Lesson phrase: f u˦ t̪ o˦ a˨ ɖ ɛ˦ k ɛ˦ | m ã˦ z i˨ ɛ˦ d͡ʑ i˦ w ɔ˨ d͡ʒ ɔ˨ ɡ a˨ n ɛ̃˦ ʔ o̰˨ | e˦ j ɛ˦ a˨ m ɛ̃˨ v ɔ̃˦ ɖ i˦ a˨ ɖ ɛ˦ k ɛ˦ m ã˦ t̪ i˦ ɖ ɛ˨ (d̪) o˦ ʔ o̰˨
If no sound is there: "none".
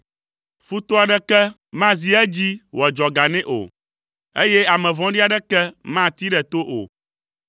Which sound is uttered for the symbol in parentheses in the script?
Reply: t̪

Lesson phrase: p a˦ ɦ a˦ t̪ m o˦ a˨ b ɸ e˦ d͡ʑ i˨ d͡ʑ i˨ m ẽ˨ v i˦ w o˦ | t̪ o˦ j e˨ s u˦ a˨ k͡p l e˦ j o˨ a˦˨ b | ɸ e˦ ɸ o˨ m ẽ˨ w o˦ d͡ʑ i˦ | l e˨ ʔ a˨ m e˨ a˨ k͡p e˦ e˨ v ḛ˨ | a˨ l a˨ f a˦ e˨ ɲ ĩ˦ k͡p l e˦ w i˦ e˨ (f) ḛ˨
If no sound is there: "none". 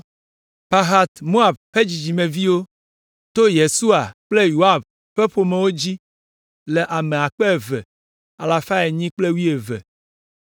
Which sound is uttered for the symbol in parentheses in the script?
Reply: v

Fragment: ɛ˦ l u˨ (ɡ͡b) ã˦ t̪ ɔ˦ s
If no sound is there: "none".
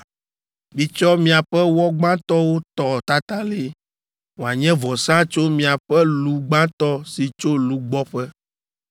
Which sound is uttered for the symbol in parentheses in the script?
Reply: ɡ͡b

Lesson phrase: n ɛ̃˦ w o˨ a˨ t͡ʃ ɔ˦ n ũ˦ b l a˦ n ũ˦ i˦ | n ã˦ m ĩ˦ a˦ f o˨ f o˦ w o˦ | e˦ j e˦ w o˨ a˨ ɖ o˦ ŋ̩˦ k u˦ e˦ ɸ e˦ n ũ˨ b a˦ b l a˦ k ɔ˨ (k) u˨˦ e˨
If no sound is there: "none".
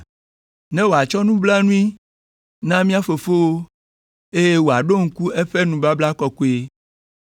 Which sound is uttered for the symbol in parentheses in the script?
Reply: k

